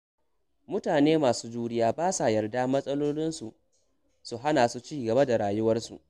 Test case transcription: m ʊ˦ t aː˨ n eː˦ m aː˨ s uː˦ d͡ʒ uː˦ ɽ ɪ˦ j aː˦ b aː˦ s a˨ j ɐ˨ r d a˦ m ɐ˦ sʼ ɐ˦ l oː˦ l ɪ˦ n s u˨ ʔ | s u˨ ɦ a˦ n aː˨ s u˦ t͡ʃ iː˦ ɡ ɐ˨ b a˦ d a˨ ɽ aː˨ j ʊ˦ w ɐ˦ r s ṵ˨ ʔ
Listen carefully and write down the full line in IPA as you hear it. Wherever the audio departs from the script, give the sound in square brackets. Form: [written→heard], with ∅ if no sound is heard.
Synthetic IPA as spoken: m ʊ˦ t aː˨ n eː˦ m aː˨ s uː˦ d͡ʒ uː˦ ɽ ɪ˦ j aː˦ b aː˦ s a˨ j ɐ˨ r d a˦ m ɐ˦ sʼ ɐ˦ l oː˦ l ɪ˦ n s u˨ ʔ | s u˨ ɦ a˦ n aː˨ s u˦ t͡ʃ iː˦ ɡ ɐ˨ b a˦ d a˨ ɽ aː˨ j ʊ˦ w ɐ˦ r s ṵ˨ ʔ